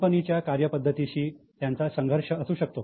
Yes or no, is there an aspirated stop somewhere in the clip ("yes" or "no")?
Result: no